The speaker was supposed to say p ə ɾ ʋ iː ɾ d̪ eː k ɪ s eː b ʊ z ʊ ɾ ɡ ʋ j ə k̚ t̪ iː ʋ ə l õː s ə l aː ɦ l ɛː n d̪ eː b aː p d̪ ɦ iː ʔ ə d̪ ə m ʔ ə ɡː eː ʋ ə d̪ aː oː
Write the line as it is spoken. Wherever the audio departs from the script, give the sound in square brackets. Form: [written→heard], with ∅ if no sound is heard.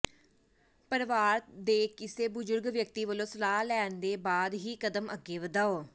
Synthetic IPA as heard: p ə ɾ ʋ [iː→aː] ɾ d̪ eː k ɪ s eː b ʊ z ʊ ɾ ɡ ʋ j ə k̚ t̪ iː ʋ ə l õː s ə l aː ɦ l ɛː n d̪ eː b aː [p→∅] d̪ ɦ iː [ʔ→k] ə d̪ ə m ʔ ə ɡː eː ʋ ə d̪ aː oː